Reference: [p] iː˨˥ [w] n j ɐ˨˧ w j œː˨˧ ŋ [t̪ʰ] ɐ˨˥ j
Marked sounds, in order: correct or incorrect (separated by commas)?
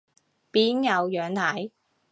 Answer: correct, incorrect, correct